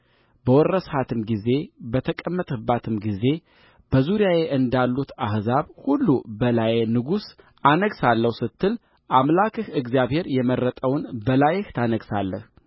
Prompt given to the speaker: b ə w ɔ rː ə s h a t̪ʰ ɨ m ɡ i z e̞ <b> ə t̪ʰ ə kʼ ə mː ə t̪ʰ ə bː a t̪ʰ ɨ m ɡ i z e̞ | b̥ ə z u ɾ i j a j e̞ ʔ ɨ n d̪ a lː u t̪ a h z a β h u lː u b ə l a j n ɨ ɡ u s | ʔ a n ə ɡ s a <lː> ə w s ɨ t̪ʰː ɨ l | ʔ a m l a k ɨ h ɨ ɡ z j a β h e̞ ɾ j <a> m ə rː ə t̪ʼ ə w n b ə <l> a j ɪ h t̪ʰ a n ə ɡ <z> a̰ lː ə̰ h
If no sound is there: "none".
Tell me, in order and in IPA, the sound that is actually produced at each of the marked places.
b, lː, ɛ, l, s

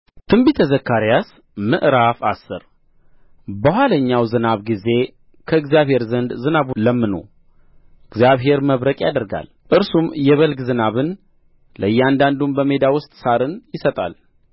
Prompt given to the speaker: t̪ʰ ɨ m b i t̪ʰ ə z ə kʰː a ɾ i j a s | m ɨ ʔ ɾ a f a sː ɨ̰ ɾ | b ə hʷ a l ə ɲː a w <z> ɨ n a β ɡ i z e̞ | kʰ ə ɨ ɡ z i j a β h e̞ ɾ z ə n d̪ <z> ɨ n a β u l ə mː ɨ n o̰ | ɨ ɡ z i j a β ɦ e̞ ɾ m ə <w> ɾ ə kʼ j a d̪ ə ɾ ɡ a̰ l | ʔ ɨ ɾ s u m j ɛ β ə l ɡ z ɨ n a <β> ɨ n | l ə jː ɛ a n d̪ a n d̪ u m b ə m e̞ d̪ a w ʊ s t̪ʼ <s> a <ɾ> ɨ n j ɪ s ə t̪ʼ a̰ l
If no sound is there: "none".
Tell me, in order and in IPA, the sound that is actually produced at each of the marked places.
z, z, β, β, s, ɾ

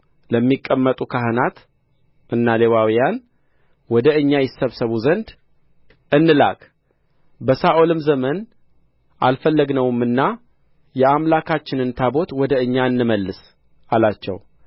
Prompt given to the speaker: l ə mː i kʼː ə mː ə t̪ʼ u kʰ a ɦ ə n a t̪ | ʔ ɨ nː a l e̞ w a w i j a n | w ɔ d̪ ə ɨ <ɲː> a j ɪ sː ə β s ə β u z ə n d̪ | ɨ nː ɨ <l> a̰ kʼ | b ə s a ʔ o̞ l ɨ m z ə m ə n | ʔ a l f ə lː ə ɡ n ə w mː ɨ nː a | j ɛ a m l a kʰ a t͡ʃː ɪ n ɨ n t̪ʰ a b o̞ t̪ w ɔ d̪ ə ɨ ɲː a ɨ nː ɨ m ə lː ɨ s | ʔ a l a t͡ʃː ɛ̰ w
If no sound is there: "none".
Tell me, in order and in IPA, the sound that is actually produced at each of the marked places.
ɲː, l

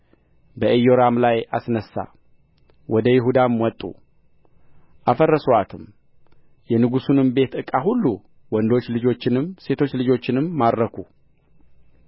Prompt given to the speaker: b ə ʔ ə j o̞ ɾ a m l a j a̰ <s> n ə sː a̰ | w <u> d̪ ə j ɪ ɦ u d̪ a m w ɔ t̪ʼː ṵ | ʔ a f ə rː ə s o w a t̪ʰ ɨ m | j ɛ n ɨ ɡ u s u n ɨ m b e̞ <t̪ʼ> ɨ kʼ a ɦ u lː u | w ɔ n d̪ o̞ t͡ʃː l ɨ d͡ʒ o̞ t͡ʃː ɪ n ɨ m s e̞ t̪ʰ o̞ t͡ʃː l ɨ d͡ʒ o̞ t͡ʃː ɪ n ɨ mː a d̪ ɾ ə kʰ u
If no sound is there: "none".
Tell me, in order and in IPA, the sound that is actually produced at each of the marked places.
s, ɔ, t̪

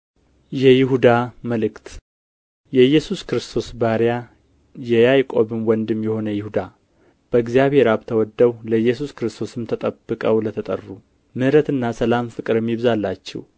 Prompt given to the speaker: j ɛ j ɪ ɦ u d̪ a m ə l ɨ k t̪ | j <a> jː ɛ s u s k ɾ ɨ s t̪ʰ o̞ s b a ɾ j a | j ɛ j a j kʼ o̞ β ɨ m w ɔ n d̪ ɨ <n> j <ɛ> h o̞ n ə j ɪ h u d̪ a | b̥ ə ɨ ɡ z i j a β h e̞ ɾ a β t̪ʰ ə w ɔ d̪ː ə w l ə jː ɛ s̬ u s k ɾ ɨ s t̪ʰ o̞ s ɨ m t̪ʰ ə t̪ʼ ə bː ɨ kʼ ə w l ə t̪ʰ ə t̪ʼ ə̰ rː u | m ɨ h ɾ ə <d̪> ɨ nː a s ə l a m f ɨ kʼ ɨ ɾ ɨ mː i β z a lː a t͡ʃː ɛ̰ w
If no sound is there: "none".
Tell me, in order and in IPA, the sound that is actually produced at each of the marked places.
ɛ, m, ɛ, t̪

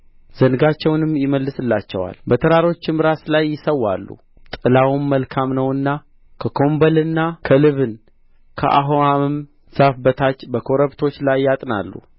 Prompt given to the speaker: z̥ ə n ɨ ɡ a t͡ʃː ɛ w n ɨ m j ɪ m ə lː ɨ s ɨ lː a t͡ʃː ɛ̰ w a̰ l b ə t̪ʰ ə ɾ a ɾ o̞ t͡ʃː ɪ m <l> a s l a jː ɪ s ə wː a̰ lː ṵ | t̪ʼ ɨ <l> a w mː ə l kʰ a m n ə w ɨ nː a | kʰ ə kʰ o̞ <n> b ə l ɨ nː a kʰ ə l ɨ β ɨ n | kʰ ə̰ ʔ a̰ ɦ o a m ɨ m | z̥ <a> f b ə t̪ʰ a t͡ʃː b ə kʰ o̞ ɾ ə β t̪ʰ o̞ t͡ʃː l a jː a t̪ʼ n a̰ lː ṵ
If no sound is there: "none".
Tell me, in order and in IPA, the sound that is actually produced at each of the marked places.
ɾ, l, m, a

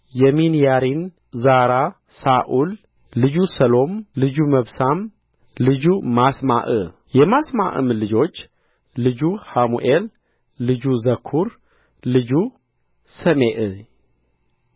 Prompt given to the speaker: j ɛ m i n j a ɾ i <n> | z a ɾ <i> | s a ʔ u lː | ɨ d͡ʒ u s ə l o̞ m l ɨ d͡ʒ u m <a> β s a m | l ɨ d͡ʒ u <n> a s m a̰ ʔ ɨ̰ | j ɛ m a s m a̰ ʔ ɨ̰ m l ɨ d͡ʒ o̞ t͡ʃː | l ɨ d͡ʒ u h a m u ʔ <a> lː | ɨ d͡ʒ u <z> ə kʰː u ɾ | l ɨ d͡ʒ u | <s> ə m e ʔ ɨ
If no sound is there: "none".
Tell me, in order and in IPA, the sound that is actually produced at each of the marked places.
n, a, ə, m, e, z, s

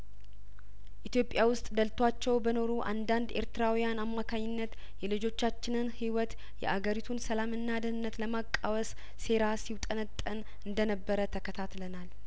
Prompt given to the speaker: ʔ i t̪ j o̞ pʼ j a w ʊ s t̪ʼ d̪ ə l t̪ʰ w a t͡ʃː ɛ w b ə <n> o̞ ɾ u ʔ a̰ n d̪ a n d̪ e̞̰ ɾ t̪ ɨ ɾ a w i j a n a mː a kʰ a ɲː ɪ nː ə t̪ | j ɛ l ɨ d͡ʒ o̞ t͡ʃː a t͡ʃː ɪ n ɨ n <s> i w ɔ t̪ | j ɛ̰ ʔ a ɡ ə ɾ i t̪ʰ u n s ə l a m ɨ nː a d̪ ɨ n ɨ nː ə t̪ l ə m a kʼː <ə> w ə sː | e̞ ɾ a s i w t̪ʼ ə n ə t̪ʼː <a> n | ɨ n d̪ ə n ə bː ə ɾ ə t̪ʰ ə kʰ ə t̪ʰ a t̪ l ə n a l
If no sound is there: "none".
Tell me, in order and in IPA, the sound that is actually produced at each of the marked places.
n, h, a, ə

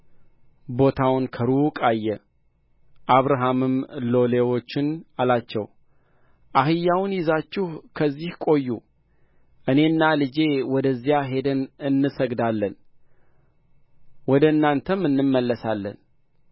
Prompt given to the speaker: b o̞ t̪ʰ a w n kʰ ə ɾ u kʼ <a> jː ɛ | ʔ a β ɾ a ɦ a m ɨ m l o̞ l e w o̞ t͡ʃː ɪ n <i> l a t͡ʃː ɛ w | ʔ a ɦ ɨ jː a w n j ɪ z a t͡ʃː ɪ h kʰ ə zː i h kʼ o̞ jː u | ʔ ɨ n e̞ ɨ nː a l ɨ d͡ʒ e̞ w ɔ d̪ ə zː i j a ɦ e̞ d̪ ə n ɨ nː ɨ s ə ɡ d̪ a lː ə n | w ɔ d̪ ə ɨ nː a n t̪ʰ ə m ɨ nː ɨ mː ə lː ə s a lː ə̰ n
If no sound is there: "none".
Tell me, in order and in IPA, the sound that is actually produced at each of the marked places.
a, a

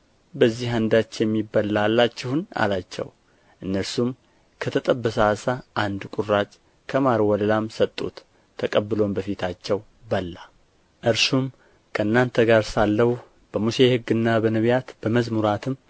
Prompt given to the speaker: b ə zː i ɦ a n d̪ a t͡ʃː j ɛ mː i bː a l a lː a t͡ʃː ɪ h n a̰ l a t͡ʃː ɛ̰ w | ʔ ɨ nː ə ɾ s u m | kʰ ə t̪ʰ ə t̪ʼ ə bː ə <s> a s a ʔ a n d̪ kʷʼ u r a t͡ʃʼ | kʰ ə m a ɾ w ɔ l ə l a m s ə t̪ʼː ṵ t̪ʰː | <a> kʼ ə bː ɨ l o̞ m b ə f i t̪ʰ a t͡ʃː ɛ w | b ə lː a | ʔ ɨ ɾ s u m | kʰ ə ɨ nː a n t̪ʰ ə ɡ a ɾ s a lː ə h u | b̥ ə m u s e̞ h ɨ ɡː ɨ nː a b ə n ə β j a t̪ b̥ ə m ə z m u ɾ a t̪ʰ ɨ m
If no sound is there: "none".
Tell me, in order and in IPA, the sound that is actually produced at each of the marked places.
s, ə

